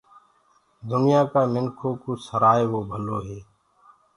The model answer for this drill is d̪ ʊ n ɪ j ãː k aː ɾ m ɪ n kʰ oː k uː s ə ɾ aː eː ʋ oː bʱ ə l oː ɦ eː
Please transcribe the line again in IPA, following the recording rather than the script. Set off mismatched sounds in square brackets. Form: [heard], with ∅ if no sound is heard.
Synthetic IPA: d̪ ʊ n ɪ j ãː k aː [∅] m ɪ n kʰ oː k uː s ə ɾ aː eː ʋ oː bʱ ə l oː ɦ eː